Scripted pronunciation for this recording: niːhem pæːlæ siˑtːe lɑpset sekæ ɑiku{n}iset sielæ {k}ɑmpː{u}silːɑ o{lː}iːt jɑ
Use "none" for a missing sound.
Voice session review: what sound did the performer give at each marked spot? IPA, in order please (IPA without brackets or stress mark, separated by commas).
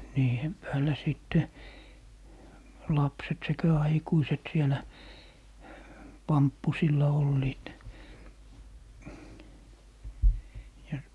none, p, u, lː